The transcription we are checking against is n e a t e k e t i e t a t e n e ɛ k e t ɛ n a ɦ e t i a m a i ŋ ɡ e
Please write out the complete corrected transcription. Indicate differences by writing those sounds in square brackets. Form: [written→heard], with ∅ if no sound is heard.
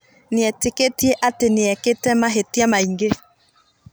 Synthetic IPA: n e [a→ɛ] t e k e t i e [t→ʔ] a t e n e ɛ k e t ɛ [n→m] a ɦ e t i a m a i ŋ ɡ e